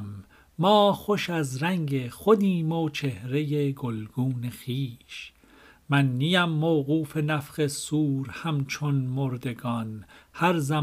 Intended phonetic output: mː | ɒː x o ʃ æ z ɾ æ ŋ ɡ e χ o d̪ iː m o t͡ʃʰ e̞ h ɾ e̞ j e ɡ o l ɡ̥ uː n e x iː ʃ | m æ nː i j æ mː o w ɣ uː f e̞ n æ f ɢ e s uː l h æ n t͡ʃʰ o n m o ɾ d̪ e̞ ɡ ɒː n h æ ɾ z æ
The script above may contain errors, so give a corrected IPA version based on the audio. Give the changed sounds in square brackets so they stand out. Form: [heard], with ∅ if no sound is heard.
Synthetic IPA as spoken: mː | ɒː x o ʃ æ z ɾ æ ŋ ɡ e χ o d̪ iː m o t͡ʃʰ e̞ h ɾ e̞ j e ɡ o l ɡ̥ uː n e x iː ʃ | m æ nː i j æ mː o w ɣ uː f e̞ n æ f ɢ e s uː [ɾ] h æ [m] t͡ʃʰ o n m o ɾ d̪ e̞ ɡ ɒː n h æ ɾ z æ